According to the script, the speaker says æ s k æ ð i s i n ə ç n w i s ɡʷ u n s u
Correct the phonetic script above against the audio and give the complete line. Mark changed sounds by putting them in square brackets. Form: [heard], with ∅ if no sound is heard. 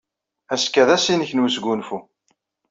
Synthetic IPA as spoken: æ s k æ ð [æ] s i n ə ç n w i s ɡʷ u n [f] u